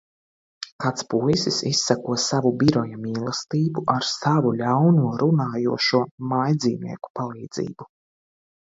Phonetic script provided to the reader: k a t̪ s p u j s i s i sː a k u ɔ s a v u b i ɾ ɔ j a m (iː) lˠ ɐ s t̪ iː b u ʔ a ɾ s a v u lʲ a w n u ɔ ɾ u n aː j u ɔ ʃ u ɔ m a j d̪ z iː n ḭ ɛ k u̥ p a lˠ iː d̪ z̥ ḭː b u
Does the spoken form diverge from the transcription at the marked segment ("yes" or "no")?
no